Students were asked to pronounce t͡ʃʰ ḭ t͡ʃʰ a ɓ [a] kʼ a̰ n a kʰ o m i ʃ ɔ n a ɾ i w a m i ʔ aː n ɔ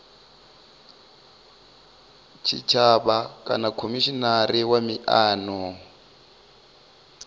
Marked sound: correct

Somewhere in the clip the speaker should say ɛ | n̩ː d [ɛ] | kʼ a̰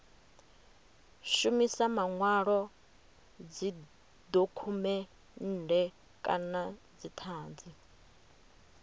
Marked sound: correct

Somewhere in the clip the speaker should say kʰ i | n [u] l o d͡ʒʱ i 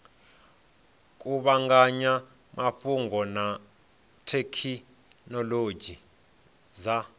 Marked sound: incorrect: ɔ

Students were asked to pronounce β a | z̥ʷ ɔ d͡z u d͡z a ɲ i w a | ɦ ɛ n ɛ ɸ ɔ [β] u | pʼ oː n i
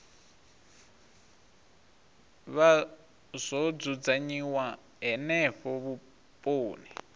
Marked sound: correct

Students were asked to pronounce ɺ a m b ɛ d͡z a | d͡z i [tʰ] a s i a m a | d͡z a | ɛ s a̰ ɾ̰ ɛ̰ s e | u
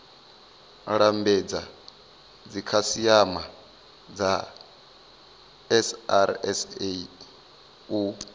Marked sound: incorrect: kʰ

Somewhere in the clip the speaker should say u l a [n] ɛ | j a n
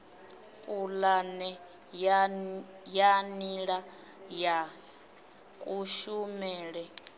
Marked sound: correct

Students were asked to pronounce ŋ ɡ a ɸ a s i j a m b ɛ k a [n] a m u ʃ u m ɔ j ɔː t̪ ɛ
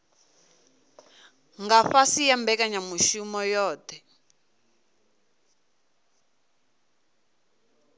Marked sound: incorrect: ɲ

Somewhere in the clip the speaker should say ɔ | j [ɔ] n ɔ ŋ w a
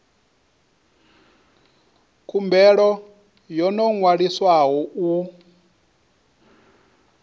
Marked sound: correct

